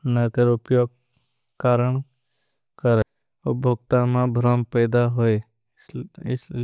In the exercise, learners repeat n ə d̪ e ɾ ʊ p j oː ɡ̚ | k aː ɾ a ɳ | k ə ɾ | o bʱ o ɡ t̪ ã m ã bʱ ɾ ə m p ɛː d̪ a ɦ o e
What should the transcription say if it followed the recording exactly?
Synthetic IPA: n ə t̪ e ɾ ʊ p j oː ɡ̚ | k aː ɾ ə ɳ | k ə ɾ | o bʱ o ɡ t̪ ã m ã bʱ ɾ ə m p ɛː d̪ a ɦ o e